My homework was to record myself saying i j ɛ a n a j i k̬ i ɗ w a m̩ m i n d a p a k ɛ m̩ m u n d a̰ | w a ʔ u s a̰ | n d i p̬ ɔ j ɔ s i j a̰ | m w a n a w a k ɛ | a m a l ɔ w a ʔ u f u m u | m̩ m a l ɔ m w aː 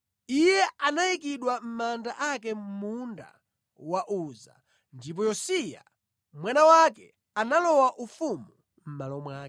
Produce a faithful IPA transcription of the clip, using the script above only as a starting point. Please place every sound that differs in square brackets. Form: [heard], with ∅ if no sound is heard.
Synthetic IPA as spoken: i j ɛ a n a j i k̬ i ɗ w a m̩ m [a] n d a [ʔ] a k ɛ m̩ m u n d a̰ | w a ʔ u [z] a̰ | n d i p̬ ɔ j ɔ s i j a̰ | m w a n a w a k ɛ | a [n] a l ɔ w a ʔ u f u m u | m̩ m a l ɔ m w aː